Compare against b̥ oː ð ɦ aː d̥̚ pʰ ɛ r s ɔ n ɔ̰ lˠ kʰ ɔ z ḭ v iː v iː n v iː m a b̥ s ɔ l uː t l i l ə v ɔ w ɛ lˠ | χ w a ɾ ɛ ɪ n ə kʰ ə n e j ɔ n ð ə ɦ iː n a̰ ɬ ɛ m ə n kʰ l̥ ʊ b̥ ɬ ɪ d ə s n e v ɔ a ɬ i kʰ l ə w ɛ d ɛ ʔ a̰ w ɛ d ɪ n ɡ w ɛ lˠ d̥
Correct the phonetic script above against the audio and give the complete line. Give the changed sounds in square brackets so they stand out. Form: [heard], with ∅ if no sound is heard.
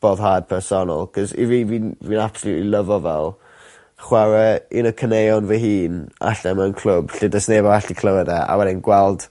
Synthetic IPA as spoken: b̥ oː ð ɦ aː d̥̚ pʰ ɛ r s ɔ n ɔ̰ lˠ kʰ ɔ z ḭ v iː v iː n v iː [n] a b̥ s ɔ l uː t l i l ə v ɔ [v] ɛ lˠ | χ w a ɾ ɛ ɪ n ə kʰ ə n e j ɔ n [v] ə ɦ iː n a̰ ɬ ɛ m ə n kʰ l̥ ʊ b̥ ɬ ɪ d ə s n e v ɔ a ɬ i kʰ l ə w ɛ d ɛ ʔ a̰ w ɛ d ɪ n ɡ w ɛ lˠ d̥

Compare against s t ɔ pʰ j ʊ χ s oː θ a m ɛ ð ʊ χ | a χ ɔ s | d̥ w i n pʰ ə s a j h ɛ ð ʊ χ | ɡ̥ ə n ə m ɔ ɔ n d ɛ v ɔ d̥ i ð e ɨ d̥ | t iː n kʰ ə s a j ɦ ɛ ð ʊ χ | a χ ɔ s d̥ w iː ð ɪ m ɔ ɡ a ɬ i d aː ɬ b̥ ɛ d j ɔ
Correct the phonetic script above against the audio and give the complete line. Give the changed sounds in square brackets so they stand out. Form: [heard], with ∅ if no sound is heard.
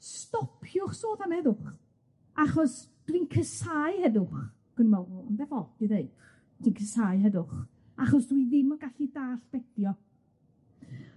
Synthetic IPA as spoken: s t ɔ pʰ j ʊ χ s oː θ a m ɛ ð ʊ χ | a χ ɔ s | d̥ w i n [kʰ] ə s a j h ɛ ð ʊ χ | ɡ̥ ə n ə m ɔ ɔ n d ɛ v ɔ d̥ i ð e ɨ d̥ | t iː n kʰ ə s a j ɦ ɛ ð ʊ χ | a χ ɔ s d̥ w [i] ð ɪ m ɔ ɡ a ɬ i d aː ɬ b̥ ɛ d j ɔ

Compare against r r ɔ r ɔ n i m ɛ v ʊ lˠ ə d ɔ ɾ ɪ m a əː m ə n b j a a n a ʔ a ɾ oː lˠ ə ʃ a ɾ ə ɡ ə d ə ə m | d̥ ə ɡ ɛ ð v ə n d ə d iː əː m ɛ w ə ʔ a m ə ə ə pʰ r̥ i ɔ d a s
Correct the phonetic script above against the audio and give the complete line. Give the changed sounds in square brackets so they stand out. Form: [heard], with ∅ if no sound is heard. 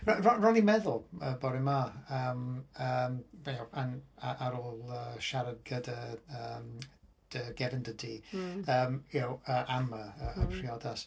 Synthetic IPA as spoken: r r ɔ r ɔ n i m ɛ [ð] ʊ lˠ ə [b] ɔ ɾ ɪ m a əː m ə [m] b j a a n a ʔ a ɾ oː lˠ ə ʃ a ɾ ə ɡ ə d ə ə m | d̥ ə ɡ ɛ [∅] v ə n d ə d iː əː m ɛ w ə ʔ a m ə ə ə pʰ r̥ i ɔ d a s

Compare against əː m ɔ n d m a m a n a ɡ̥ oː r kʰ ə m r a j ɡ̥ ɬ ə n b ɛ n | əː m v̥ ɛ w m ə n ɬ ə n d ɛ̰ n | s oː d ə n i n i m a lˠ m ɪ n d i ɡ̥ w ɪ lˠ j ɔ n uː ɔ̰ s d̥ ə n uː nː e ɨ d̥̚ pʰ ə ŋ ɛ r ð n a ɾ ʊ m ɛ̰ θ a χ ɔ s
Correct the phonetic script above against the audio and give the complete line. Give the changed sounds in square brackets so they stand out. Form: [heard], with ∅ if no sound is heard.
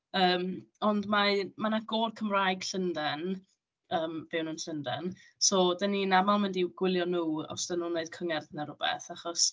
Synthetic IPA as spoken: əː m ɔ n d m a m a n a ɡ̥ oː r kʰ ə m r a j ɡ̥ ɬ ə n [d] ɛ n | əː m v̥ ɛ w [n] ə n ɬ ə n d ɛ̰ n | s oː d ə n i n [a] m a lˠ m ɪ n d i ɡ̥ w ɪ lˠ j ɔ n uː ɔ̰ s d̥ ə n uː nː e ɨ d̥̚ [kʰ] ə ŋ ɛ r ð n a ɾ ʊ [b] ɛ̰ θ a χ ɔ s

